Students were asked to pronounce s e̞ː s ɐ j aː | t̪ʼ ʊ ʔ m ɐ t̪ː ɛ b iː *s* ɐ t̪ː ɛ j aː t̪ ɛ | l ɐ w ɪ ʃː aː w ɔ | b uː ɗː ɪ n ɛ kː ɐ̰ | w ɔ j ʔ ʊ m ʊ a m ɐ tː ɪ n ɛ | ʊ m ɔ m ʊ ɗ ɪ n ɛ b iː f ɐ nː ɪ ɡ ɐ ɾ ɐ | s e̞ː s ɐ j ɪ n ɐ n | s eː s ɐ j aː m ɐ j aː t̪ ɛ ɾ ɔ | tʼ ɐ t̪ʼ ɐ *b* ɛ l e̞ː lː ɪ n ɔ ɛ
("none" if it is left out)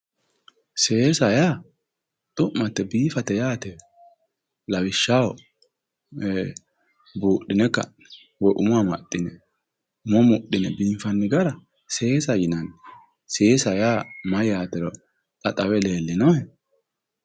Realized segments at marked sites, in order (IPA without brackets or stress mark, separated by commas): f, w